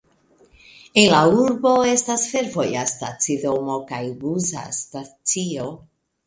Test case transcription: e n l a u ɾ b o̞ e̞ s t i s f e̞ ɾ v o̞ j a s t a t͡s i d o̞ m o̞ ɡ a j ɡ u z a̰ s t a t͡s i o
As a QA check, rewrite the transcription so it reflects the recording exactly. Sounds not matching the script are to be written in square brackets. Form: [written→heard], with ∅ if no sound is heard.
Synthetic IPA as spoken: e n l a u ɾ b o̞ e̞ s t [i→a] s f e̞ ɾ v o̞ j a s t a t͡s i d o̞ m o̞ [ɡ→k] a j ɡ u z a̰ s t a t͡s i o